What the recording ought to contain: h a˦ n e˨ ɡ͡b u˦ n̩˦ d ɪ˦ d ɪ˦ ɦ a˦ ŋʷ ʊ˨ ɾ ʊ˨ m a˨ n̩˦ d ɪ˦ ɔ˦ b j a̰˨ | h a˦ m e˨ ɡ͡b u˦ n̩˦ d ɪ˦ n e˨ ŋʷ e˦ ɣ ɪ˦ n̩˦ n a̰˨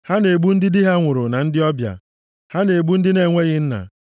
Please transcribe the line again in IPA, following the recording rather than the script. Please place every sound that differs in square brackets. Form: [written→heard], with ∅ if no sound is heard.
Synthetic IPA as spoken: h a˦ n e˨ ɡ͡b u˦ n̩˦ d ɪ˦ d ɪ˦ ɦ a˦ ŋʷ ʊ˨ ɾ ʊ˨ [m→n] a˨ n̩˦ d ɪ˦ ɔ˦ b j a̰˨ | h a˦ [m→n] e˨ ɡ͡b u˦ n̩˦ d ɪ˦ n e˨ ŋʷ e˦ ɣ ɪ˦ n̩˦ n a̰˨